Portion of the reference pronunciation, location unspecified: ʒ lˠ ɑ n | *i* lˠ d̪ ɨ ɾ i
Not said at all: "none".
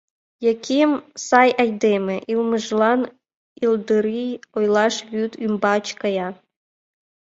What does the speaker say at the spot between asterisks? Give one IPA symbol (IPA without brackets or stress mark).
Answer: i